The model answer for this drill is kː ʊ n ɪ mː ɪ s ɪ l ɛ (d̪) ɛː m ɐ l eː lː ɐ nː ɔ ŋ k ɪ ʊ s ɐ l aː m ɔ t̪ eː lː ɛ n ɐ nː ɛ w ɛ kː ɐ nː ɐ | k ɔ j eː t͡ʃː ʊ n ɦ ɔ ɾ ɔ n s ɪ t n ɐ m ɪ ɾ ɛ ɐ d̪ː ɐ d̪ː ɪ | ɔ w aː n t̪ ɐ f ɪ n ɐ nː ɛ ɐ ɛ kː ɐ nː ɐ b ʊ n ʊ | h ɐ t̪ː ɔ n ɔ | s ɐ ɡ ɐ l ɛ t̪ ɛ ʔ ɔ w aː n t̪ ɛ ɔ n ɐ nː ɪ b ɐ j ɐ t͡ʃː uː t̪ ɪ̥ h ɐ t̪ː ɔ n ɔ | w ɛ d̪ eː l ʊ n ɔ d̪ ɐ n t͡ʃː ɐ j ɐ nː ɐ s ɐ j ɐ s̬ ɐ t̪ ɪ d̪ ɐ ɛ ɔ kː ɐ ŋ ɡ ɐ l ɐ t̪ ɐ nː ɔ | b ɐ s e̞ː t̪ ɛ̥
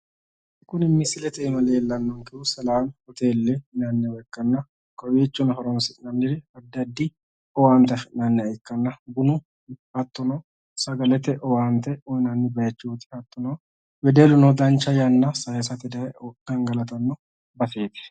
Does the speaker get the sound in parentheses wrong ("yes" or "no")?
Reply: yes